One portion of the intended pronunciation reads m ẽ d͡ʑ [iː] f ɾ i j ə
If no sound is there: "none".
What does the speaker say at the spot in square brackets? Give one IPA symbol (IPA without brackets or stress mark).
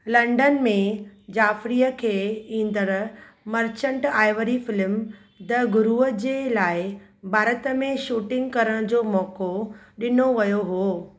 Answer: aː